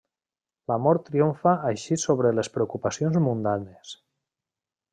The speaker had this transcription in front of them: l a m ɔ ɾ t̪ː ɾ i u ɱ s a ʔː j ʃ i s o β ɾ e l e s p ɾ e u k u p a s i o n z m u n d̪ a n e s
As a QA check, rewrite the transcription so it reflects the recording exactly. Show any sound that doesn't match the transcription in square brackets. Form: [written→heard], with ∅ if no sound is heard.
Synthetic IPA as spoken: l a m ɔ ɾ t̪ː ɾ i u ɱ [s→f] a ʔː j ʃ i s o β ɾ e l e s p ɾ e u k u p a s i o n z m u n d̪ a n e s